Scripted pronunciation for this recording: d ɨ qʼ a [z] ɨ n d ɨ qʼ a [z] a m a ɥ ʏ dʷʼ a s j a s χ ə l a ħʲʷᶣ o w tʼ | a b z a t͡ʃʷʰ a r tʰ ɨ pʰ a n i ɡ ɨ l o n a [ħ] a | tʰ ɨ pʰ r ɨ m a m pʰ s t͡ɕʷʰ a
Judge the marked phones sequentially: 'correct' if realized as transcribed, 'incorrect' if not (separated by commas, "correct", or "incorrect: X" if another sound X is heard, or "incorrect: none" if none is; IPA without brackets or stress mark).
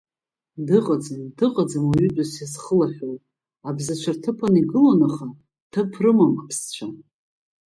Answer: incorrect: d͡z, incorrect: d͡z, incorrect: χ